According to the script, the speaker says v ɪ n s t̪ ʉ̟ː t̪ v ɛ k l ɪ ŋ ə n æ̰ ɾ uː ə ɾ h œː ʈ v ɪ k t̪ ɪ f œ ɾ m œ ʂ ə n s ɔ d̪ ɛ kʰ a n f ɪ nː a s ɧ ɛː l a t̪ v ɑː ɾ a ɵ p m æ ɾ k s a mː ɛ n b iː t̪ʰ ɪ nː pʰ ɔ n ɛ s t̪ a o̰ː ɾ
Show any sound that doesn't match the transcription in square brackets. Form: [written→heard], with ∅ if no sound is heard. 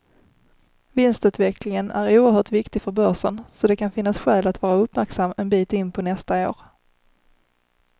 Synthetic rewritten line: v ɪ n s t̪ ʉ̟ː t̪ v ɛ k l ɪ ŋ ə n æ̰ ɾ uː ə ɾ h œː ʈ v ɪ k t̪ ɪ f œ ɾ [m→b] œ ʂ ə n s ɔ d̪ ɛ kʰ a n f ɪ nː a s ɧ ɛː l a t̪ v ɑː ɾ a ɵ p m æ ɾ k s a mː ɛ n b iː [t̪ʰ→t̪] ɪ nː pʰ ɔ n ɛ s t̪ a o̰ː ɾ